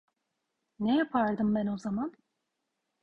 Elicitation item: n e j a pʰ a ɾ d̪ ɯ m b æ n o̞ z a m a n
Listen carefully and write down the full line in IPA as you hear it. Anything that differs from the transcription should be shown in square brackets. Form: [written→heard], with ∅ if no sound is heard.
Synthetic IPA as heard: n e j a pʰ a ɾ d̪ ɯ m b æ n o̞ z a m a n